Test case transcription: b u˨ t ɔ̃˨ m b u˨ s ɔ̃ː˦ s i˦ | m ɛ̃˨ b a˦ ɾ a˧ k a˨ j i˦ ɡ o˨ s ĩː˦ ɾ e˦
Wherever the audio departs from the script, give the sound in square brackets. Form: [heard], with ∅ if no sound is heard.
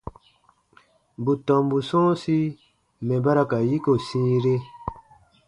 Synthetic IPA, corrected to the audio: b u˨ t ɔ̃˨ m b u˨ s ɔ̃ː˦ s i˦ | m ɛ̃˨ b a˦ ɾ a˧ k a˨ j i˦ [k] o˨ s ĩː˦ ɾ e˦